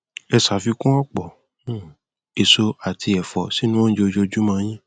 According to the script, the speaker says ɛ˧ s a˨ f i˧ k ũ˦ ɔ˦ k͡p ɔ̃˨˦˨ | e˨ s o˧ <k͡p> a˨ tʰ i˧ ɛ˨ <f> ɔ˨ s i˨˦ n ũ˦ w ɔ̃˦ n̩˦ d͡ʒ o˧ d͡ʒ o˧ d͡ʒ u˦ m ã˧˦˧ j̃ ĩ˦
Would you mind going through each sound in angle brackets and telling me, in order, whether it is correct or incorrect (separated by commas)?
incorrect, correct